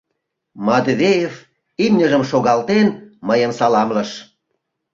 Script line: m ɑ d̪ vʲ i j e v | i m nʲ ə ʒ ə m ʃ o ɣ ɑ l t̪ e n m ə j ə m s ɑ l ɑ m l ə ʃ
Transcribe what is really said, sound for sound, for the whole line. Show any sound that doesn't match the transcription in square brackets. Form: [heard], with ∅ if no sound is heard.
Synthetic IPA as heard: m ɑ d̪ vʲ [e] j e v | i m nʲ ə ʒ ə m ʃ o ɣ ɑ l t̪ e n m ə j ə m s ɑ l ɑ m l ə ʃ